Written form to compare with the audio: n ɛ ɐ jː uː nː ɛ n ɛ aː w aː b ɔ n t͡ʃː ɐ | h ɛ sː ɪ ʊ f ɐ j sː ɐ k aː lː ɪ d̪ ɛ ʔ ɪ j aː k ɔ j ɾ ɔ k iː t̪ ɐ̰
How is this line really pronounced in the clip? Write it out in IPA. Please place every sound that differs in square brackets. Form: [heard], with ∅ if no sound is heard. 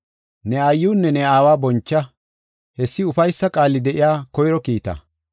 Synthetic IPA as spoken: n ɛ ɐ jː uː nː ɛ n ɛ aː w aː b ɔ n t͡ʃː ɐ | h ɛ sː ɪ ʊ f ɐ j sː ɐ [kʼ] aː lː ɪ d̪ ɛ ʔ ɪ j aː k ɔ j ɾ ɔ k iː t̪ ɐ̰